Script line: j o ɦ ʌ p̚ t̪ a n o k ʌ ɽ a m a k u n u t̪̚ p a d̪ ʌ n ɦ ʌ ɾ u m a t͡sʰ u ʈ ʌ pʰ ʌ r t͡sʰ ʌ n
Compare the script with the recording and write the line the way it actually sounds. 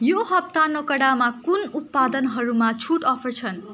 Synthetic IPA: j o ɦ ʌ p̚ t̪ a n o k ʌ ɽ a m a k u n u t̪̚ p a d̪ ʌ n ɦ ʌ ɾ u m a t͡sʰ u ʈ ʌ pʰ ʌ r t͡sʰ ʌ n